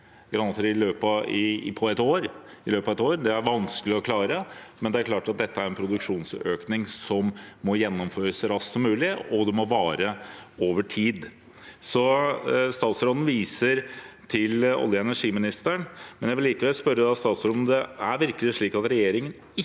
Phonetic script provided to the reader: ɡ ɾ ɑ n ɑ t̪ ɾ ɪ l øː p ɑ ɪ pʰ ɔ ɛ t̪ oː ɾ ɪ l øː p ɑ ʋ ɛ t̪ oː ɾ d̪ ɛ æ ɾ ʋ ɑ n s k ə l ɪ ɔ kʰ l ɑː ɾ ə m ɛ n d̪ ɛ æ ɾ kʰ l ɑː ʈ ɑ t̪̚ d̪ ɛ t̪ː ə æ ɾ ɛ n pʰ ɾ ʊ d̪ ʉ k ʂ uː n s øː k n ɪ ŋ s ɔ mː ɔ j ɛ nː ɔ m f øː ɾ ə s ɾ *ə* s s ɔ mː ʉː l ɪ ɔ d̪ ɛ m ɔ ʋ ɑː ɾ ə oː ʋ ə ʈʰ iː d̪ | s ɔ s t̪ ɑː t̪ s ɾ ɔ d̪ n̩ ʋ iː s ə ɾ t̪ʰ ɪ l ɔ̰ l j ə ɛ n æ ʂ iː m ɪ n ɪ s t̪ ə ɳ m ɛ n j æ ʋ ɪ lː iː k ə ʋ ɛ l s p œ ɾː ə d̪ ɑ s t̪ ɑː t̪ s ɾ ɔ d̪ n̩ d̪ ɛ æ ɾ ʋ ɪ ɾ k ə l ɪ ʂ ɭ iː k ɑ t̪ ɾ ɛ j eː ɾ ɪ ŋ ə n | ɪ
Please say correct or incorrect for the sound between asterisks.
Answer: incorrect: ɑ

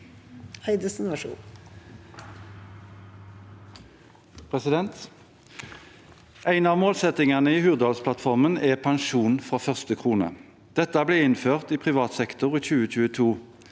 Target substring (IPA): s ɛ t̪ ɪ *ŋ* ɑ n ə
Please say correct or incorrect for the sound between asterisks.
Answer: correct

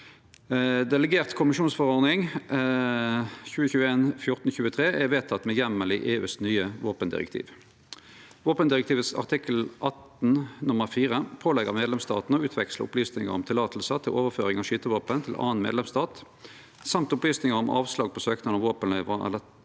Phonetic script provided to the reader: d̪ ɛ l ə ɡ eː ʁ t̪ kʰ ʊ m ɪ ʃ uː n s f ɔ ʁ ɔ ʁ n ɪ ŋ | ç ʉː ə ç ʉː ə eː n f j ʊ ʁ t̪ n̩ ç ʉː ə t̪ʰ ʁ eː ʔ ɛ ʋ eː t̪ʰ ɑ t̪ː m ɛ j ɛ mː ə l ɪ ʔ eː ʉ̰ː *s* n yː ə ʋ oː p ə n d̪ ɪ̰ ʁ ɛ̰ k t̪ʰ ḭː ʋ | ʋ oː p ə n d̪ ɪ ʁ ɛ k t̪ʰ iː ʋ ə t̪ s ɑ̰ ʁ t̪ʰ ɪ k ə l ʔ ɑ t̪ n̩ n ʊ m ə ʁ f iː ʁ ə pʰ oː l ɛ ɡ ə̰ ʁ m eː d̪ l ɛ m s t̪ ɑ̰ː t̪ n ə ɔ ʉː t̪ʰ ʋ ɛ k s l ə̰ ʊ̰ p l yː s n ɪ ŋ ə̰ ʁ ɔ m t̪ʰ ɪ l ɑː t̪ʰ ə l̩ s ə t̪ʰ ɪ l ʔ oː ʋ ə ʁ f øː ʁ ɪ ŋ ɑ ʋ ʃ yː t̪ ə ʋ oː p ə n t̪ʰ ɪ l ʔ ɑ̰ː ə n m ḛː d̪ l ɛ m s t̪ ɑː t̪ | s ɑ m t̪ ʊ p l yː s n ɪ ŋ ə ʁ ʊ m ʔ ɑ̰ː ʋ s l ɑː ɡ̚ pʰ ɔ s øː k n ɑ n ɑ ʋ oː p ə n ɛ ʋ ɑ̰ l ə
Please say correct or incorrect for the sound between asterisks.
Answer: correct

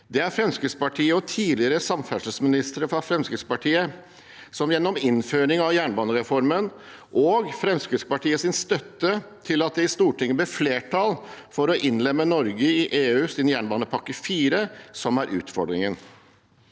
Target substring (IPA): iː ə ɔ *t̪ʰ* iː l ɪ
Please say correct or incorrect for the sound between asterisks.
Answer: correct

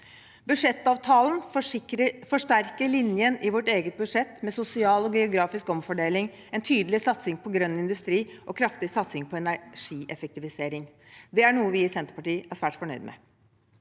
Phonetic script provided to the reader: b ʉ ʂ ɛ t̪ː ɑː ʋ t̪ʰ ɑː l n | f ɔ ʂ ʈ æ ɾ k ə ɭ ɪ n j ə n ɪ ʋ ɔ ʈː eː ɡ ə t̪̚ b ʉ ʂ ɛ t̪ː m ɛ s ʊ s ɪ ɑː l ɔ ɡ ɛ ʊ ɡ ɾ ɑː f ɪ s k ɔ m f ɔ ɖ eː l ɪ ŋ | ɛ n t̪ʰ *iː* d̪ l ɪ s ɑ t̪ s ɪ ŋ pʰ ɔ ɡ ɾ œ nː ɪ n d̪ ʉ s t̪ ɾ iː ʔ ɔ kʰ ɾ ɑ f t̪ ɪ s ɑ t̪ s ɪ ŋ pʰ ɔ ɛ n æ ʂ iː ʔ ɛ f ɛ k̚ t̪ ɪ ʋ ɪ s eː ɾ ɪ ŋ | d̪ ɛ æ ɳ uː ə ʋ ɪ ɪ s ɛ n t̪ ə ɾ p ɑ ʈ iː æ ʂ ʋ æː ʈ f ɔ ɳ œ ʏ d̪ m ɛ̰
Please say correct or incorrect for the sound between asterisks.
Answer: incorrect: yː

